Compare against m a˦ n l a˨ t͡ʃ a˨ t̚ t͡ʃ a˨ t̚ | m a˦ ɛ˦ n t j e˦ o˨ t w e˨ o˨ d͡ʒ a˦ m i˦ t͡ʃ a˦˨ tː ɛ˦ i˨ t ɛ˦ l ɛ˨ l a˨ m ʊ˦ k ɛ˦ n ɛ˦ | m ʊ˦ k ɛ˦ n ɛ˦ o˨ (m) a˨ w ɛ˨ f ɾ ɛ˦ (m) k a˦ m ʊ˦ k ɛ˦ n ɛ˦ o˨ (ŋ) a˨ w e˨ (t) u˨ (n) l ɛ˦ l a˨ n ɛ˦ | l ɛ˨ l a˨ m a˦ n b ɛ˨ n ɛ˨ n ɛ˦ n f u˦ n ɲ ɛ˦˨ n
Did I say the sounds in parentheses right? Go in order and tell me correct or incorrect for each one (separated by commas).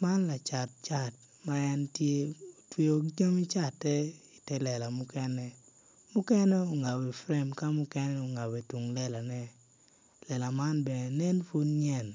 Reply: incorrect, correct, correct, correct, incorrect